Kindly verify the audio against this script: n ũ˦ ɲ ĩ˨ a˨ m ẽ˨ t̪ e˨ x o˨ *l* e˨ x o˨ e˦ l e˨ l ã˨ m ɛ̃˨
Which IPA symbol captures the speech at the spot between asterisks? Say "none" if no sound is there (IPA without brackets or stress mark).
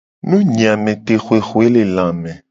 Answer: none